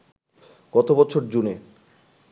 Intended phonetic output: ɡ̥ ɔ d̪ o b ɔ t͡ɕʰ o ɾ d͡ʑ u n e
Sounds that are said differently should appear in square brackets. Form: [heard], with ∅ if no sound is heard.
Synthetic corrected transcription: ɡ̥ ɔ [t̪] o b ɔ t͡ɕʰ o ɾ d͡ʑ u n e